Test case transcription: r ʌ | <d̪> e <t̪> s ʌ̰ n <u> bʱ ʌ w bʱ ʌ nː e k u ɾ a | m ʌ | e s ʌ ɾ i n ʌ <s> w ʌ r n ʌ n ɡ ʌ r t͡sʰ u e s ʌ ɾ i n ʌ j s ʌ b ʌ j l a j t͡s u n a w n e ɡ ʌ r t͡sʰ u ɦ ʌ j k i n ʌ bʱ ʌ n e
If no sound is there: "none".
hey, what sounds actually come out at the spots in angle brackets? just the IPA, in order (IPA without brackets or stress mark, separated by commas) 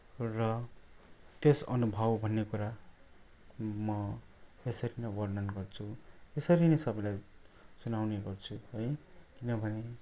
t̪, none, u, none